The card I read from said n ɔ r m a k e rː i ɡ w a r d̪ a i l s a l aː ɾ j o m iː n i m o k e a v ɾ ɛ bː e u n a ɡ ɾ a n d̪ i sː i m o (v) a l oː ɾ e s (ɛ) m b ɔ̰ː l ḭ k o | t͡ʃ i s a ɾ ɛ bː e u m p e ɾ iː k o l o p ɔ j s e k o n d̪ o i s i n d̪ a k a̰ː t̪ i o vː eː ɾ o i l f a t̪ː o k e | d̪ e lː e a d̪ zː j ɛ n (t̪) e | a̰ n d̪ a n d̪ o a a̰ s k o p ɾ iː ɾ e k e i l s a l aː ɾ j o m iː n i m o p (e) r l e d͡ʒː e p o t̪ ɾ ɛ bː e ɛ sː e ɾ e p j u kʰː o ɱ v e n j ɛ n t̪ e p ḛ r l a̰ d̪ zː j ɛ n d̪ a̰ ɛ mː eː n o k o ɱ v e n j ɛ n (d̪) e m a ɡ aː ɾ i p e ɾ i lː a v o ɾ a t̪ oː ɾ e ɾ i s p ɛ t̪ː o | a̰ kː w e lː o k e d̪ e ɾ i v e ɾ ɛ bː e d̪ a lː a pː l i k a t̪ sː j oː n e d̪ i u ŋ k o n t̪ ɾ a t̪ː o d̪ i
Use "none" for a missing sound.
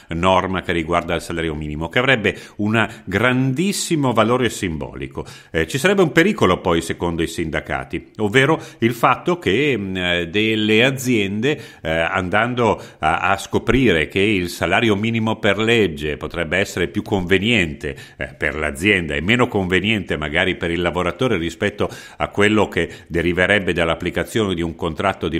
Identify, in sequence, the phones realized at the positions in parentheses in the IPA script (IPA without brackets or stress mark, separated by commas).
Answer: v, i, d̪, e, t̪